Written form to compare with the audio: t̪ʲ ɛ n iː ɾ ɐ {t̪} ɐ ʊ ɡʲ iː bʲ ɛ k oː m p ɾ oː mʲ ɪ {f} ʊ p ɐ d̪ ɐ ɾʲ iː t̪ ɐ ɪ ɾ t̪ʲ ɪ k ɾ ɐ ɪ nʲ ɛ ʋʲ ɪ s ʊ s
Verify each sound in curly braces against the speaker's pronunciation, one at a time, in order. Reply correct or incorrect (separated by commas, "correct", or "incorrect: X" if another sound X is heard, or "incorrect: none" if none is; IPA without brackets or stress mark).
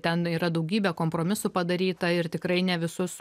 incorrect: d̪, incorrect: s